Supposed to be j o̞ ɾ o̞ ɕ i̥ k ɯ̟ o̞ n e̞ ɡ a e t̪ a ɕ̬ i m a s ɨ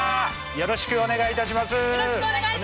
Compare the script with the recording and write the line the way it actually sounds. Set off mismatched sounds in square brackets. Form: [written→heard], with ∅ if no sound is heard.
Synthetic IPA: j o̞ ɾ o̞ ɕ i̥ k ɯ̟ o̞ n e̞ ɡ a [e→i] t̪ a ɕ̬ i m a s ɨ